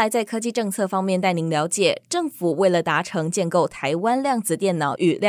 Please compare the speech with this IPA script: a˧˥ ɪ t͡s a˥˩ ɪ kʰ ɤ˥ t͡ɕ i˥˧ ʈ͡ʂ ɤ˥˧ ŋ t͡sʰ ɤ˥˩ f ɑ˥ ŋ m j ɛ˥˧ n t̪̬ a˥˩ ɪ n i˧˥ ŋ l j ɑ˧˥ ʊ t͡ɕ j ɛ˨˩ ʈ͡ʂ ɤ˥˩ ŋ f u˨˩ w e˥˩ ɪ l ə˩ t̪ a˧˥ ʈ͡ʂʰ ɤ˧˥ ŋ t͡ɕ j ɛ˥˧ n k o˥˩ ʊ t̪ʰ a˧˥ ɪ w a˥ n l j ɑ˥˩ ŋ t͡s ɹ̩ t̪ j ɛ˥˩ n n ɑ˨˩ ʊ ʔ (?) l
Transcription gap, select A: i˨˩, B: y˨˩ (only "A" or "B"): B